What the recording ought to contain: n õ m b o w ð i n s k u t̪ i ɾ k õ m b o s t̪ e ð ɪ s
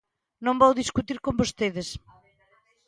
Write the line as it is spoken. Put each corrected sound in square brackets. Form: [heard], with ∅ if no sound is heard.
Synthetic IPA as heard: n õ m b o w ð i [∅] s k u t̪ i ɾ k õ m b o s t̪ e ð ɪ s